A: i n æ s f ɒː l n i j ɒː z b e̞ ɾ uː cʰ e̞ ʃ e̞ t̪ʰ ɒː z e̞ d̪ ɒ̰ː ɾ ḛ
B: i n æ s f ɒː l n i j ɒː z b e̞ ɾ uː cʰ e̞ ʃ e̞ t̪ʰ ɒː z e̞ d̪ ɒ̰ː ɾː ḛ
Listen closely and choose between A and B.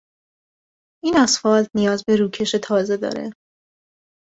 A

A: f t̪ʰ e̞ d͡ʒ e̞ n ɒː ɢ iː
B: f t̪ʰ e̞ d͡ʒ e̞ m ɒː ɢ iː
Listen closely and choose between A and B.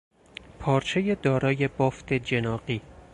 A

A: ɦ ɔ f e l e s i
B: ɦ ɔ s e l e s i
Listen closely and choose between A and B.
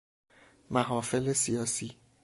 A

